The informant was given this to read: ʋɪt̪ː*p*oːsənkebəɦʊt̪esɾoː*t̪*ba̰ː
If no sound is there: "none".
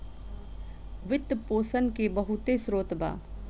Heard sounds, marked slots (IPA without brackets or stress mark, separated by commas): p, t̪